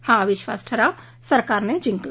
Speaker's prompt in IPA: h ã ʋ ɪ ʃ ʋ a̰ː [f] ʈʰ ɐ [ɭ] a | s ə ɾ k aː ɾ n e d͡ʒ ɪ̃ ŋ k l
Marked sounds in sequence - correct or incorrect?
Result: incorrect: s, incorrect: ɾ

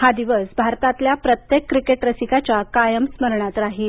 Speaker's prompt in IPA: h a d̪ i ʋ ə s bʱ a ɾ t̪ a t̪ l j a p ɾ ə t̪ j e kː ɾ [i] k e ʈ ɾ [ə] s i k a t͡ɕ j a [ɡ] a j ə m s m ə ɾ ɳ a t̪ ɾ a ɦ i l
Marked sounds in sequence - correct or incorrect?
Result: correct, correct, incorrect: k

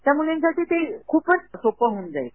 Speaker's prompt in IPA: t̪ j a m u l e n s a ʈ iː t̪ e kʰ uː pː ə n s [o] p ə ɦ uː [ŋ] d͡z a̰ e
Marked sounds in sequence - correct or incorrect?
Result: correct, incorrect: n

